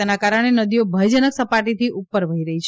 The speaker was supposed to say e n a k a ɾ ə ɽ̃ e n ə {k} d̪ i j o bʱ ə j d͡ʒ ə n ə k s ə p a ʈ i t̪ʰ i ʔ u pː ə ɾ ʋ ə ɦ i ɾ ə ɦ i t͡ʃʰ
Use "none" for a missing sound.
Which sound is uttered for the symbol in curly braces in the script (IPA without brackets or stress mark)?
none